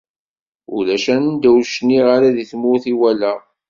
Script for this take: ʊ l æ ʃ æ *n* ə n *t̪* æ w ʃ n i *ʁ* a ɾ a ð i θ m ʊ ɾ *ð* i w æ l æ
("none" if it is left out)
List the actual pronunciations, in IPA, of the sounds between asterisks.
n, d̪, ʁ, θ

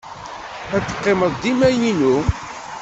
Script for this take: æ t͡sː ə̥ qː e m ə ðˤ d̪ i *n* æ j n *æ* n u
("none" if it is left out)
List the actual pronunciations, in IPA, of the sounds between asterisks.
m, i

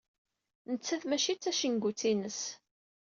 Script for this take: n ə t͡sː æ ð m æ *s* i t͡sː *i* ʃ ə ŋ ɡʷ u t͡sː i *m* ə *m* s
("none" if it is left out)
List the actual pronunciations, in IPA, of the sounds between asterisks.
ʃ, æ, n, none

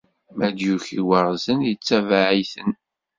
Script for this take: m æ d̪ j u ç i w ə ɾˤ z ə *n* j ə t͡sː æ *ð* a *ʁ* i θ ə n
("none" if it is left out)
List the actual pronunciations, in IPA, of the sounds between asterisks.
n, v, ʕ

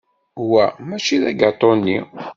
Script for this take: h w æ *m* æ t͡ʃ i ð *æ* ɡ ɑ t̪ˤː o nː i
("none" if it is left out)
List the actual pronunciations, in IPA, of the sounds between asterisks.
m, æ

